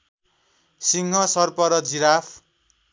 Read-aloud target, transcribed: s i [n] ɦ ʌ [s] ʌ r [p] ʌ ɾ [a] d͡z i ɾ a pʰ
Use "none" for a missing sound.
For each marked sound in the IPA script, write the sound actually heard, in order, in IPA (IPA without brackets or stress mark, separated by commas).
ŋ, s, p, ʌ